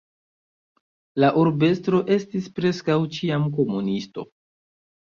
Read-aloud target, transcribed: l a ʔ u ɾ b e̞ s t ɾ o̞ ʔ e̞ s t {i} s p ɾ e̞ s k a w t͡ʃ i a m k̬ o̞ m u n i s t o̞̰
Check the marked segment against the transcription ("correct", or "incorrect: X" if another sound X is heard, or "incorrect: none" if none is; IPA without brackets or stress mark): correct